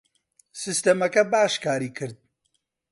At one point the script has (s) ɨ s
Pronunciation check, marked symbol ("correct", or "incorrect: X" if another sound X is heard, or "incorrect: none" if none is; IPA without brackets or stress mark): correct